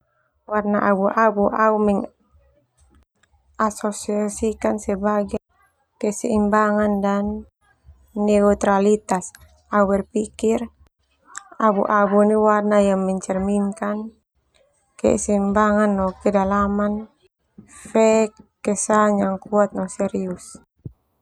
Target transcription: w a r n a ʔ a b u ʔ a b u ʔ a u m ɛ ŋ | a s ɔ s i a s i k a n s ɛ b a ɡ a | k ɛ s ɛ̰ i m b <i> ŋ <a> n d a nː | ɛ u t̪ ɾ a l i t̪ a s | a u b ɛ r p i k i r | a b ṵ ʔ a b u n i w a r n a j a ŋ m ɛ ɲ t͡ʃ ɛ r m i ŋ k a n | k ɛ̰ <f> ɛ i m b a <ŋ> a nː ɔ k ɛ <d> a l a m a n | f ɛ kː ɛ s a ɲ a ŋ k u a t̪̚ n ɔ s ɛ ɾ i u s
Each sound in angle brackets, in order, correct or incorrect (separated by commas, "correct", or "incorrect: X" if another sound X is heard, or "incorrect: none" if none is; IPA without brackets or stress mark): incorrect: a, correct, incorrect: s, correct, correct